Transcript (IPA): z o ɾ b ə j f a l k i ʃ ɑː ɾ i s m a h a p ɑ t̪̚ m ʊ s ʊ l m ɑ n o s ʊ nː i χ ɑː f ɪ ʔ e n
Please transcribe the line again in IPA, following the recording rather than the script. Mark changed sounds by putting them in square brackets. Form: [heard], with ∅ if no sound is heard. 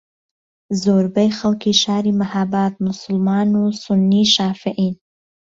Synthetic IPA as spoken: z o ɾ b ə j [x] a l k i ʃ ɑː ɾ i [∅] m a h a [b] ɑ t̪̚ m ʊ s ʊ l m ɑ n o s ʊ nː i [ʃ] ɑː f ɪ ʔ [i] n